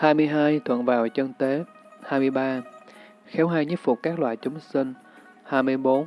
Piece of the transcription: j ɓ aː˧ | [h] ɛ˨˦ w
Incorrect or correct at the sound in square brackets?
incorrect: x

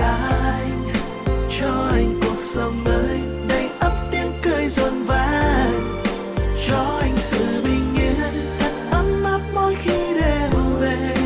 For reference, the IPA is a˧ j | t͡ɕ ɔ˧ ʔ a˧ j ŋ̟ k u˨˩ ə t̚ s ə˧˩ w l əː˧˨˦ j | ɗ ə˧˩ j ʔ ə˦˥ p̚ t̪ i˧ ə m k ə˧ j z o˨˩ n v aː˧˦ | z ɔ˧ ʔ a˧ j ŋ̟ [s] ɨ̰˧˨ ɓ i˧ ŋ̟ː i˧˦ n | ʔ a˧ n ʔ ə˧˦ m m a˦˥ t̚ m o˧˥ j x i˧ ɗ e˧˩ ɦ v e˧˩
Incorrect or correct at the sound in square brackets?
correct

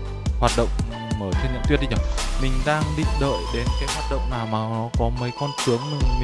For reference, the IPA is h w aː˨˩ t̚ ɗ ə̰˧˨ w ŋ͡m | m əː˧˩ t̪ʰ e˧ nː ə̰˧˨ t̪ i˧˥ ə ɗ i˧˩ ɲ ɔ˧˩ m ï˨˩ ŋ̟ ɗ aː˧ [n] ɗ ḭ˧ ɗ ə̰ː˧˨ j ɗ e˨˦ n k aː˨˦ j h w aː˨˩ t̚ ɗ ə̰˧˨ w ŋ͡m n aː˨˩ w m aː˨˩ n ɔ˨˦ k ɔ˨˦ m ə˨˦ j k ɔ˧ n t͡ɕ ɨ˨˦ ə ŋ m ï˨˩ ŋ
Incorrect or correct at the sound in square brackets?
incorrect: ŋ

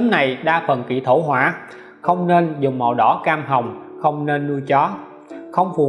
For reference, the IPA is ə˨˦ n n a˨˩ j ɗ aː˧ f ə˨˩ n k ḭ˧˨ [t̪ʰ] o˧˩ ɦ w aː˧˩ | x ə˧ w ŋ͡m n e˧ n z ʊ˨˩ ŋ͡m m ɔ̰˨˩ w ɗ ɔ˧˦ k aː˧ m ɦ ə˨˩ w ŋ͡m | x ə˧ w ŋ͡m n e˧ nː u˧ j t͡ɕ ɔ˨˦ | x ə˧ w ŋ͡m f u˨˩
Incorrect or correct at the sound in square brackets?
correct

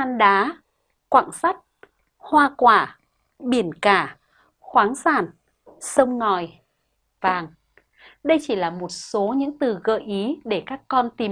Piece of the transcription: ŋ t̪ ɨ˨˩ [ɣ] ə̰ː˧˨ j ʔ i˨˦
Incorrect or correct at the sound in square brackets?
correct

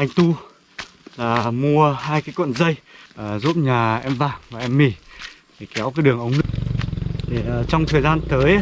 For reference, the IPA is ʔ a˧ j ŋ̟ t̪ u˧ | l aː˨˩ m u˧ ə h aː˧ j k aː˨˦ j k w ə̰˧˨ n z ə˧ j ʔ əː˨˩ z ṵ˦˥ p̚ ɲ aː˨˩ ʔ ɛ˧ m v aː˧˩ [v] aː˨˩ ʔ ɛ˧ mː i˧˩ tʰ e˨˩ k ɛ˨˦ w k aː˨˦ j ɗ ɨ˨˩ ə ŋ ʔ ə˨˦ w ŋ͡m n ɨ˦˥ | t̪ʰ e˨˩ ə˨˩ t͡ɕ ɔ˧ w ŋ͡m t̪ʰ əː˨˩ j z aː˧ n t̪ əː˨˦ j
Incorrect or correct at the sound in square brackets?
correct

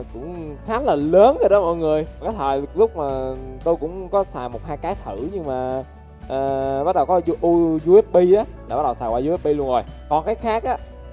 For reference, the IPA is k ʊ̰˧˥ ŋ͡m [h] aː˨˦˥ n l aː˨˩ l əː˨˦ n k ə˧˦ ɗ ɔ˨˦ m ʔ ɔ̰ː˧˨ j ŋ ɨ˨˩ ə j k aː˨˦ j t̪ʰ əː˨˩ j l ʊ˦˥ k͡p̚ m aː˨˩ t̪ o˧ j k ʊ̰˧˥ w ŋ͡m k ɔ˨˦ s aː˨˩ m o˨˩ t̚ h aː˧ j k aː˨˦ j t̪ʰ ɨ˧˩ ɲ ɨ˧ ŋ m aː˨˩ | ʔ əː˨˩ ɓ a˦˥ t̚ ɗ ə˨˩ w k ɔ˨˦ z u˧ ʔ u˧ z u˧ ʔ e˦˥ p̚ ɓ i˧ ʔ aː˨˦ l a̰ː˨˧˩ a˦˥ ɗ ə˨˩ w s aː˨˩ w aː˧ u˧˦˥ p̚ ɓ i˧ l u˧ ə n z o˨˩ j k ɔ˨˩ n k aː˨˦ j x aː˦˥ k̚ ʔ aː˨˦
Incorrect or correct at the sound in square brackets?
incorrect: x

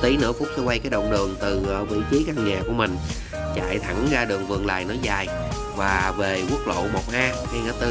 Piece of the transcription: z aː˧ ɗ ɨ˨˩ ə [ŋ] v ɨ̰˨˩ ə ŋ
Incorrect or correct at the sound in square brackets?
correct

